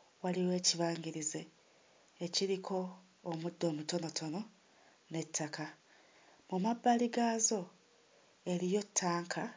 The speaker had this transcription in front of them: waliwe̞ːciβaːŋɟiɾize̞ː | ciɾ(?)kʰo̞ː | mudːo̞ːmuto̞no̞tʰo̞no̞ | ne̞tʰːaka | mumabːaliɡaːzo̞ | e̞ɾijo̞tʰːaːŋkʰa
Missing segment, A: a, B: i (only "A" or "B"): B